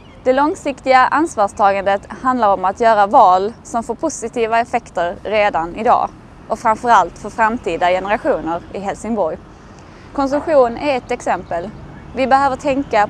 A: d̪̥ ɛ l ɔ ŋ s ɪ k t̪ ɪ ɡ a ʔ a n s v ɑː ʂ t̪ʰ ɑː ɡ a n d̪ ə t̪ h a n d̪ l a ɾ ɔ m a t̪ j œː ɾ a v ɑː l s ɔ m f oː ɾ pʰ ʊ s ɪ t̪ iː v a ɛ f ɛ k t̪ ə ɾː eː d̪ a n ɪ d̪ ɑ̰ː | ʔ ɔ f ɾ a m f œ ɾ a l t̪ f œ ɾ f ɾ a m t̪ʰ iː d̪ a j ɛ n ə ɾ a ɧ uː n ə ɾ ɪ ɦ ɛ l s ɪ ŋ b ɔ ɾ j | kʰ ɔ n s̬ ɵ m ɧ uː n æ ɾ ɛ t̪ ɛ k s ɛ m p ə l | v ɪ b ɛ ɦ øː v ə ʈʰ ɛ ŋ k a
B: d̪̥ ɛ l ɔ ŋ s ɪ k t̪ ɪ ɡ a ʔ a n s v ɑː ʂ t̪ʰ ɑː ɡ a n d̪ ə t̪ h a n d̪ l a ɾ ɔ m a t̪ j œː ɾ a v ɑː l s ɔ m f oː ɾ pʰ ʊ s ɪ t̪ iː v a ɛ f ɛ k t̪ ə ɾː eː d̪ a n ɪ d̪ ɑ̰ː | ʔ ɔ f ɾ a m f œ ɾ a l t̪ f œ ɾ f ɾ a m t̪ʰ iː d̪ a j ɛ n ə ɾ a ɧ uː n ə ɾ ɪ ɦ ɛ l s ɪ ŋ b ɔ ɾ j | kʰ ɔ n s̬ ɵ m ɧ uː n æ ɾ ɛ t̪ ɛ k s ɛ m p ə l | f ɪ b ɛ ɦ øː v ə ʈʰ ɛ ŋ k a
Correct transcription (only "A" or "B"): A